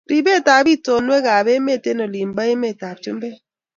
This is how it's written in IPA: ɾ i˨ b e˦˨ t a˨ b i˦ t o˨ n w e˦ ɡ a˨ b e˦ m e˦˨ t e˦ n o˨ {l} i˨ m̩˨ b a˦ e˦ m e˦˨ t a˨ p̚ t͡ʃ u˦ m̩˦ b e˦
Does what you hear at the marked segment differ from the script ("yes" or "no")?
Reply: no